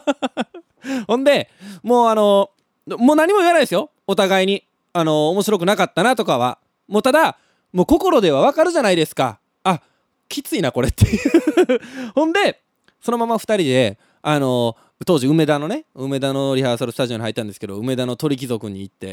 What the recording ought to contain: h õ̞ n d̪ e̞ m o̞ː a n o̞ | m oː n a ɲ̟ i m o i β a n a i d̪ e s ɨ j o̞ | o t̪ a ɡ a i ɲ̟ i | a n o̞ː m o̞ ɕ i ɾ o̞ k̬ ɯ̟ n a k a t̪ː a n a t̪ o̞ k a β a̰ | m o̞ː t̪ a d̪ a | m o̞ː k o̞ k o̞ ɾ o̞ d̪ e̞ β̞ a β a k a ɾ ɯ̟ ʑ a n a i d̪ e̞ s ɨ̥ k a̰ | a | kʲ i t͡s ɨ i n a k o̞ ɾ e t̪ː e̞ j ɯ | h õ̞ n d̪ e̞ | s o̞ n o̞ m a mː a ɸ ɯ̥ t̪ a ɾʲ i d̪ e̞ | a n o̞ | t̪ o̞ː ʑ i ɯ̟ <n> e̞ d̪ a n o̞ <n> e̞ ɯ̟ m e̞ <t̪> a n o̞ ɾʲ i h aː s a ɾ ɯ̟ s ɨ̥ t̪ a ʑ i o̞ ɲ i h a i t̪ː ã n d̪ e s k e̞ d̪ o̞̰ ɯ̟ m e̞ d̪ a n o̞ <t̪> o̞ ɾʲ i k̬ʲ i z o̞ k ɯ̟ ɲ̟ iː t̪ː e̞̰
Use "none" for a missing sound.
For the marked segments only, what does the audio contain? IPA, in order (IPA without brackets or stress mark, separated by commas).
m, n, d̪, t̪